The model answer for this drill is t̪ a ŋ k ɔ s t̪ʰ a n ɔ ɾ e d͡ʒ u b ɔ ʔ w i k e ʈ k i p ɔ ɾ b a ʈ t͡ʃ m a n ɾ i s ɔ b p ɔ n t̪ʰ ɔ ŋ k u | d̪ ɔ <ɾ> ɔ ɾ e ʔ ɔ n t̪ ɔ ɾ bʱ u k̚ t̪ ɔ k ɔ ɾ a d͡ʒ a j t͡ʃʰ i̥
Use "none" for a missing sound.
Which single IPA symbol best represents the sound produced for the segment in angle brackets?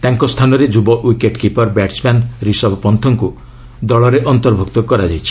ɭ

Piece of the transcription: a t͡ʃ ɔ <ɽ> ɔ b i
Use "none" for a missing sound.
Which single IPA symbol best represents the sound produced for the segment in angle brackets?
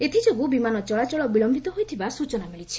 ɭ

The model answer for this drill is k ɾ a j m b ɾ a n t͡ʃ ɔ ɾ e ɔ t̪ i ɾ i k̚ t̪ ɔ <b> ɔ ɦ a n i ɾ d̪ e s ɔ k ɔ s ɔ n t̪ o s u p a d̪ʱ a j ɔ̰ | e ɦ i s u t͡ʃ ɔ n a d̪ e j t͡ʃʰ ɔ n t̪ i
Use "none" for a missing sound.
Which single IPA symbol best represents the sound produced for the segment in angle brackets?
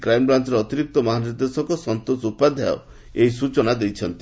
m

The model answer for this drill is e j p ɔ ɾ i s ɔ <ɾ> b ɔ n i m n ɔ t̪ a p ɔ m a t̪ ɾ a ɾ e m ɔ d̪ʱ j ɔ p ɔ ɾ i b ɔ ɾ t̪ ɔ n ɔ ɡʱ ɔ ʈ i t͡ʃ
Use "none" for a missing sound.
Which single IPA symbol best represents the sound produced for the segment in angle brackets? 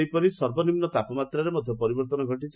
ɾ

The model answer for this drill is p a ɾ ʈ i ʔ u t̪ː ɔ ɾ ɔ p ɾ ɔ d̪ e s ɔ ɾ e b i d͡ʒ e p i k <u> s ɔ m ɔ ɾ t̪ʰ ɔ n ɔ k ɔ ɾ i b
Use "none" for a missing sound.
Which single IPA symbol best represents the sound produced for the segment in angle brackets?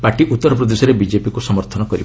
u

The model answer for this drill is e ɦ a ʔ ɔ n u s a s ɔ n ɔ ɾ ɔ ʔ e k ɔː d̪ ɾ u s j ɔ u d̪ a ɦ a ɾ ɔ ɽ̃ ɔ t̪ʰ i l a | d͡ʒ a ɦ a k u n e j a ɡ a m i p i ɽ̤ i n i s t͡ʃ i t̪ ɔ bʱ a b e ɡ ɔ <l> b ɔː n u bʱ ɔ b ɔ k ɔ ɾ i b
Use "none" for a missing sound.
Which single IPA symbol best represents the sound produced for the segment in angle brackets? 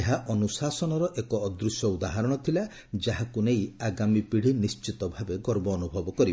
ɾ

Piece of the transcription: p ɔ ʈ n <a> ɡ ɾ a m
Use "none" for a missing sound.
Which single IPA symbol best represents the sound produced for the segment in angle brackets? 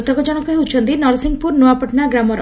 a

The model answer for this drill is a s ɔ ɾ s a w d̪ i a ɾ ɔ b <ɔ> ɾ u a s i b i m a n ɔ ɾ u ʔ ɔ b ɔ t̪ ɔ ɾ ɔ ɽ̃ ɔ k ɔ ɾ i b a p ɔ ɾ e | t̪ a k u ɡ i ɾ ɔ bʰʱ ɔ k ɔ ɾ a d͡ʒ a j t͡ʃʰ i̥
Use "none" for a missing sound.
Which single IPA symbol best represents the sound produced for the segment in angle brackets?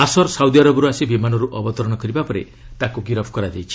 ɔ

